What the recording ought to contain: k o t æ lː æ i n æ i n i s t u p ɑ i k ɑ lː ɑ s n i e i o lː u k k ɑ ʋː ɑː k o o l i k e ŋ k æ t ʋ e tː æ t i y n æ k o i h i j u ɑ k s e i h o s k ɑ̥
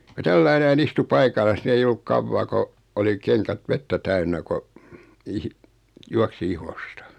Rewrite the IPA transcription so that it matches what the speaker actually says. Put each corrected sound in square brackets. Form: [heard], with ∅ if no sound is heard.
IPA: k o t æ lː æ i n æ i n i s t u p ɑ i k ɑ lː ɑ s n i e i o lː u k k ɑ ʋː ɑː k o o l i k e ŋ k æ t ʋ e tː æ t [æ] y [nː] æ k o i h i j u ɑ k s [i] i h o s [t] ɑ̥